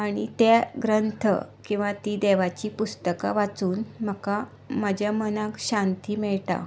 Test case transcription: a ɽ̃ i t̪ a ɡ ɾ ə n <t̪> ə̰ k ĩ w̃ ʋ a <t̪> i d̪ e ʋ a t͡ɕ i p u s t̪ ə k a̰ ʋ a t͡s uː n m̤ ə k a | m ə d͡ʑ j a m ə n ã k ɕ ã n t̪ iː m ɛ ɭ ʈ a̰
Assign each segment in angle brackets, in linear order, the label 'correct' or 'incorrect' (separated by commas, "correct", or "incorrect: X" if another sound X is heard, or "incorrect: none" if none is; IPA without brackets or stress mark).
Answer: incorrect: t̪ʰ, correct